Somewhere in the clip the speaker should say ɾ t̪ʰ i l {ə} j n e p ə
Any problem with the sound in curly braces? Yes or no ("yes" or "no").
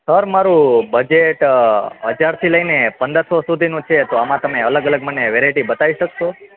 no